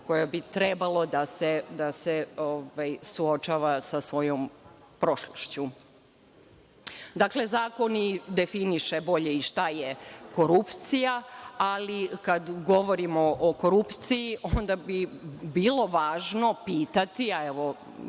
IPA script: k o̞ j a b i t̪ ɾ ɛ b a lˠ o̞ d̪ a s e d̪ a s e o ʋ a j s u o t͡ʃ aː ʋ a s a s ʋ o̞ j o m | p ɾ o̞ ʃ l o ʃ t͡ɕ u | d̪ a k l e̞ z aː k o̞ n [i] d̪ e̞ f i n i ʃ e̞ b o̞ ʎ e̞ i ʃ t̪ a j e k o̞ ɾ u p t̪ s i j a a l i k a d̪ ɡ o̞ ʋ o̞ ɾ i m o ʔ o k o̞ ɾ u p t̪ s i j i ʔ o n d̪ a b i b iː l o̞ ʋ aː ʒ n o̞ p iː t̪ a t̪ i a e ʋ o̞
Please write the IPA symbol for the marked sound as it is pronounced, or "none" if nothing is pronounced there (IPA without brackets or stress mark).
i